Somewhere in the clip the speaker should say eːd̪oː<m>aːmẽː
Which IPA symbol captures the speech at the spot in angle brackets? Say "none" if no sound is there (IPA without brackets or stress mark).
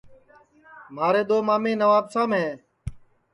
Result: m